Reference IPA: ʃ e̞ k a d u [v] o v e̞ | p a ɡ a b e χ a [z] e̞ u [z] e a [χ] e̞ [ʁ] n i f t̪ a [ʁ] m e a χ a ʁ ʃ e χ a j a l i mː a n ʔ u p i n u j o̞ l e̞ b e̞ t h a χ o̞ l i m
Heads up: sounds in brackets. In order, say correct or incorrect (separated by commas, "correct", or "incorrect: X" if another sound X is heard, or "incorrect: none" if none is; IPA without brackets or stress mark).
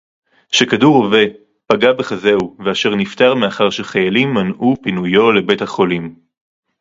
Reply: incorrect: ʁ, correct, incorrect: v, incorrect: ʃ, correct, correct